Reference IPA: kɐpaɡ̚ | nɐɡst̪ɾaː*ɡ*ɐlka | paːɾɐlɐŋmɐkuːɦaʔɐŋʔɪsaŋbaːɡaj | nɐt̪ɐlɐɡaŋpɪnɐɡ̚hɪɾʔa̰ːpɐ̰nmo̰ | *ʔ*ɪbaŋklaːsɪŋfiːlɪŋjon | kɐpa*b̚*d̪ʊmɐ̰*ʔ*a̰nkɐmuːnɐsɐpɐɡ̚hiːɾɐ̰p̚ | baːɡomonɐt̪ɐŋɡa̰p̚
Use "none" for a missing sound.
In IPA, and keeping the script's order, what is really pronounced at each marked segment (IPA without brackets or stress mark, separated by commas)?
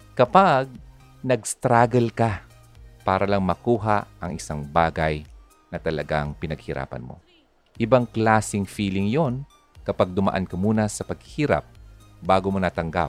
ɡ, ʔ, ɡ̚, ʔ